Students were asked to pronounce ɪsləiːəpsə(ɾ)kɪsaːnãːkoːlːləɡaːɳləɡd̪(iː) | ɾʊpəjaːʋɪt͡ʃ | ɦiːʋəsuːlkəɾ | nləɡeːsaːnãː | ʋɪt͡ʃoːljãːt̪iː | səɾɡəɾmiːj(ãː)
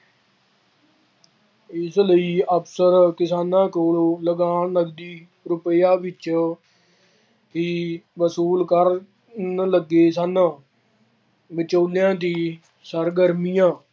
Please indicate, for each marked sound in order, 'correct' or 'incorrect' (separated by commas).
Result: correct, correct, correct